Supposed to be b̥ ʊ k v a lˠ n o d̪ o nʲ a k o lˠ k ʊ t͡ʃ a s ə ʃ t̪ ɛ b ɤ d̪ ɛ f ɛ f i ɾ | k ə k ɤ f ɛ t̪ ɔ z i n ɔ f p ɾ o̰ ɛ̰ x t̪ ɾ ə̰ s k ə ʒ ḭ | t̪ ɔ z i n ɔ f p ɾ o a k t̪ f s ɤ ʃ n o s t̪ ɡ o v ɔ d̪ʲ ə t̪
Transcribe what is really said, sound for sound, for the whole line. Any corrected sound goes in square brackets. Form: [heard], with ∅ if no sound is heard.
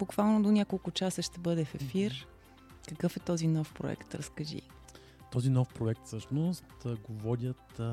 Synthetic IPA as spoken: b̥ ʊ k v a lˠ n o d̪ o nʲ a k o lˠ k ʊ t͡ʃ a s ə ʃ t̪ ɛ b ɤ d̪ ɛ f ɛ f i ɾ | k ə k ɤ f ɛ t̪ ɔ z i n ɔ f p ɾ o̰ ɛ̰ [k] t̪ ɾ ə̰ s k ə ʒ ḭ | t̪ ɔ z i n ɔ f p ɾ o [ɛ] k t̪ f s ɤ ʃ n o s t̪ ɡ o v ɔ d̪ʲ ə t̪